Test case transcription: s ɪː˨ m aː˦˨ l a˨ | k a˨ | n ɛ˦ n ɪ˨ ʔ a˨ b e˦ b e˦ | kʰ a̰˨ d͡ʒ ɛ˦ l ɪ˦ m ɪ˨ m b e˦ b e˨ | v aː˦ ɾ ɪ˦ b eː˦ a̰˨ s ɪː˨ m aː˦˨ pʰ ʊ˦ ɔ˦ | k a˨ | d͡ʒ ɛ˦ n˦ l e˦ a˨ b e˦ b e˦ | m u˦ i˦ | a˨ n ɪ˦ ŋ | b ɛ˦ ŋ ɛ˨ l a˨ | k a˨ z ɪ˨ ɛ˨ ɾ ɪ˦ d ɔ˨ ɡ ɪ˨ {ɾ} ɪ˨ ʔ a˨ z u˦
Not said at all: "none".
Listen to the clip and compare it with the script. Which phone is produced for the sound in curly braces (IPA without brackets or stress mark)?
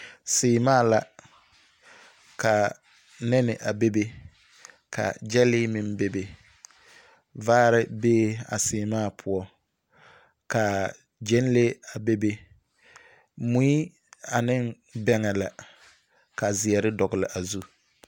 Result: l